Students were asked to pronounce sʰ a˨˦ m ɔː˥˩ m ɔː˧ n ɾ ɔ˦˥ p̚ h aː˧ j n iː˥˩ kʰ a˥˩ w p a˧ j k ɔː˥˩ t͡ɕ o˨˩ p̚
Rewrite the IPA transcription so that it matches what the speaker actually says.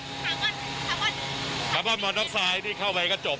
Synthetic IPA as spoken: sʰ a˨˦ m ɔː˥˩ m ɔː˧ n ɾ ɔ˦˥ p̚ s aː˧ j n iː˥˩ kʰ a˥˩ w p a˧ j k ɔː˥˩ t͡ɕ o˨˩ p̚

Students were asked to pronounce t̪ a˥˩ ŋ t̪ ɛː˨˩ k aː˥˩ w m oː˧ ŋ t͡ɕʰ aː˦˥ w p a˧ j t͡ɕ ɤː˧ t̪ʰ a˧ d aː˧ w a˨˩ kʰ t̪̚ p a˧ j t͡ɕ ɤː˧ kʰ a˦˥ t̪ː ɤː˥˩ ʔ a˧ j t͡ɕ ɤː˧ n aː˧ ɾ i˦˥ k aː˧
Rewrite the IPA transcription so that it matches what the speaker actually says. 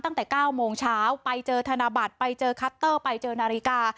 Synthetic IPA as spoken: t̪ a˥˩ ŋ t̪ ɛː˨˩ k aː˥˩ w m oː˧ ŋ t͡ɕʰ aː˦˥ w p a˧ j t͡ɕ ɤː˧ t̪ʰ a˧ n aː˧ b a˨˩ t̪̚ p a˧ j t͡ɕ ɤː˧ kʰ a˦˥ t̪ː ɤː˥˩ p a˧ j t͡ɕ ɤː˧ n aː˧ ɾ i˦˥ k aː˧

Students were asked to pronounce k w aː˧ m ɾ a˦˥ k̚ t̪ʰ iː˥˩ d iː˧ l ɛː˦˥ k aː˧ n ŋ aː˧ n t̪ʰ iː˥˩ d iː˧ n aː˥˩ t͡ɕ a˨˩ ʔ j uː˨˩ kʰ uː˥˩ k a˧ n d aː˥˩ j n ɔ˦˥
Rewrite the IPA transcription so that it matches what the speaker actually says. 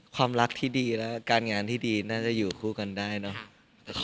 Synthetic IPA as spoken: kʰ w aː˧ m ɾ a˦˥ k̚ t̪ʰ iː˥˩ d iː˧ l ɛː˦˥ k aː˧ n ŋ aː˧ n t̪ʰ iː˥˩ d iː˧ n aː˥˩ t͡ɕ a˨˩ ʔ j uː˨˩ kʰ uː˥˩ k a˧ n d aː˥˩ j n ɔ˦˥

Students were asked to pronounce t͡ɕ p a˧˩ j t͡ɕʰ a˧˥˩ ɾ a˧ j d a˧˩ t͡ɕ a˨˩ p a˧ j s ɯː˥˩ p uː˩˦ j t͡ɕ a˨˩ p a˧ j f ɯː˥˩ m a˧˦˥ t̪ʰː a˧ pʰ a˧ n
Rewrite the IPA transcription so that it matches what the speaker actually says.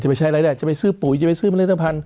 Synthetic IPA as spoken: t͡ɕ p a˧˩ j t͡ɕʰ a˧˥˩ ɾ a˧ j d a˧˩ t͡ɕ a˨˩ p a˧ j s ɯː˥˩ p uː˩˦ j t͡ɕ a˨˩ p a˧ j s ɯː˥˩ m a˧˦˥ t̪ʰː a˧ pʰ a˧ n

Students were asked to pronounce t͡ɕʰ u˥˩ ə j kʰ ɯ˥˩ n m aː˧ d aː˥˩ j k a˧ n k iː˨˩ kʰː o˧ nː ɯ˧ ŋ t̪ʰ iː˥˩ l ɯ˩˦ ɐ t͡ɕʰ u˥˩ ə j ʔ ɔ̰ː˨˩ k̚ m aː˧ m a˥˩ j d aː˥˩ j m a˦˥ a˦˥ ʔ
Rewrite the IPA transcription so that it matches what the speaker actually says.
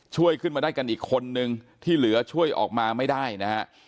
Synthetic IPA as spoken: t͡ɕʰ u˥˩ ə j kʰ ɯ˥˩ n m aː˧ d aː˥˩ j k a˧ n ʔ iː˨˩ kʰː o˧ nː ɯ˧ ŋ t̪ʰ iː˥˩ l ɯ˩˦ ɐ t͡ɕʰ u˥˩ ə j ʔ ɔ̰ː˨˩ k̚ m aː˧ m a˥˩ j d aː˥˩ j n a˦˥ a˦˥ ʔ

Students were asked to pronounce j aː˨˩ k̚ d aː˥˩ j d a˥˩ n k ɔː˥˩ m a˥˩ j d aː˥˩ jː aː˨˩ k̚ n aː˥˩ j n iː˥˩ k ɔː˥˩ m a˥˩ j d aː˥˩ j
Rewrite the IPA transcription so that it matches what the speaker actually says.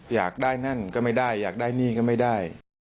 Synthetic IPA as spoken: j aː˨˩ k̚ d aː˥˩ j n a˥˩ n k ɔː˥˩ m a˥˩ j d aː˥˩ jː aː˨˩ k̚ d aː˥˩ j n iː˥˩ k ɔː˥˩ m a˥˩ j d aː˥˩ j

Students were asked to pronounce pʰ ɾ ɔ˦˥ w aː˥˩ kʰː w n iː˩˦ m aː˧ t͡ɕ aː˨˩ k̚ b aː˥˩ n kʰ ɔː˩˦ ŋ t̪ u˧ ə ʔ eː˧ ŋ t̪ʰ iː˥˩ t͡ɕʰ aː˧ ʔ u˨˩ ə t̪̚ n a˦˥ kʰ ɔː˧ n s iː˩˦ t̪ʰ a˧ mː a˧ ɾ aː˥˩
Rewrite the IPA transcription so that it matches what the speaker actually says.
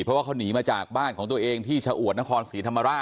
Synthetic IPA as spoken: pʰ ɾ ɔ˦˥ w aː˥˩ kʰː w n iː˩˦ m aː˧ t͡ɕ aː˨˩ k̚ b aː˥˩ n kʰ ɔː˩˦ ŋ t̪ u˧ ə ʔ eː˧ ŋ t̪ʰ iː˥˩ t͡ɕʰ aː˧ ʔ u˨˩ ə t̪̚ n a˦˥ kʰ ɔː˧ n s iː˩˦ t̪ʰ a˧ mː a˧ ɾ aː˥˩

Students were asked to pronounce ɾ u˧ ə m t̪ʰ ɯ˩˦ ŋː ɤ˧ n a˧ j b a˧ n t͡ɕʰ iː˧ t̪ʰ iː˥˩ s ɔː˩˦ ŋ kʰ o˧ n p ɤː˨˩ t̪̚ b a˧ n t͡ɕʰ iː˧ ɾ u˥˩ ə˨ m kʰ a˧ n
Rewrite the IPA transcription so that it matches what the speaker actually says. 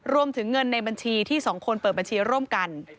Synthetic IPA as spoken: ɾ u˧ ə m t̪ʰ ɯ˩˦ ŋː ɤ˧ nː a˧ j b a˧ n t͡ɕʰ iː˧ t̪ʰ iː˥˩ s ɔː˩˦ ŋ kʰ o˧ n p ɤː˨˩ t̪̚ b a˧ n t͡ɕʰ iː˧ ɾ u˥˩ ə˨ m k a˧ n

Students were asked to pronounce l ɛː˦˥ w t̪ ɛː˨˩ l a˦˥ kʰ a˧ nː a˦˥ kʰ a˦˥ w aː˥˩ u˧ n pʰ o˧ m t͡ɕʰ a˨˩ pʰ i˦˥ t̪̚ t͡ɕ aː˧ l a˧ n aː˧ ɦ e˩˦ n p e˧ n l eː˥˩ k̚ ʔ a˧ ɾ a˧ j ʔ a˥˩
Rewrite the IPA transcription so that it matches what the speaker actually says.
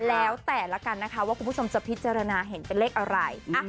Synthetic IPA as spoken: l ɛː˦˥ w t̪ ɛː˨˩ l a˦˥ k a˧ nː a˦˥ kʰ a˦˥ w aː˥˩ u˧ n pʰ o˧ m t͡ɕ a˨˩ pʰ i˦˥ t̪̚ t͡ɕ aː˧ ɾ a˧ n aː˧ ɦ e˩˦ n p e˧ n l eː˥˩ k̚ ʔ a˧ ɾ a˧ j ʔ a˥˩

